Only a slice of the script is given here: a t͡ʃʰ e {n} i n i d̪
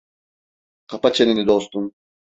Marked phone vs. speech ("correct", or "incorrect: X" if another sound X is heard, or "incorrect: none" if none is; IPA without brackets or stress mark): correct